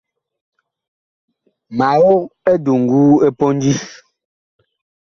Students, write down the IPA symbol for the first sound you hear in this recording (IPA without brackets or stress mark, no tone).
m